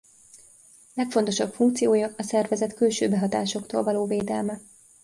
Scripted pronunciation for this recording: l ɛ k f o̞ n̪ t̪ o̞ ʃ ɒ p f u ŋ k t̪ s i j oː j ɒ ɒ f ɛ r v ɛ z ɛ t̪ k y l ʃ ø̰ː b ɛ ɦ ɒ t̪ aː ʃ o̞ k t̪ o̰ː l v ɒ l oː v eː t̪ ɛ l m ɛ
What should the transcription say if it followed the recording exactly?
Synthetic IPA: l ɛ k f o̞ n̪ t̪ o̞ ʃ ɒ p f u ŋ k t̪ s i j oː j ɒ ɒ s ɛ r v ɛ z ɛ t̪ k y l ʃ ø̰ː b ɛ ɦ ɒ t̪ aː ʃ o̞ k t̪ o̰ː l v ɒ l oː v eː d̪ ɛ l m ɛ